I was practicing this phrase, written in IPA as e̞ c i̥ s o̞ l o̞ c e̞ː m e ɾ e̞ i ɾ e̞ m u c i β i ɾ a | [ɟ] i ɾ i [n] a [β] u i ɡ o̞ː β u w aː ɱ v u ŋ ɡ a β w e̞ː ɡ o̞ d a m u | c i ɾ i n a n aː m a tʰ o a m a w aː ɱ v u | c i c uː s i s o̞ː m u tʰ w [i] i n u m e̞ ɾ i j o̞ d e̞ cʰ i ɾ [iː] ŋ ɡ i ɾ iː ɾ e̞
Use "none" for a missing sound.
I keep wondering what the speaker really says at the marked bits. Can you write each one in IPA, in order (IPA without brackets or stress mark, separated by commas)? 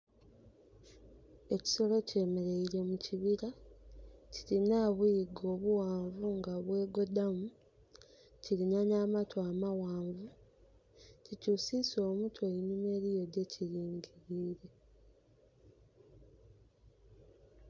c, n, β, e, iː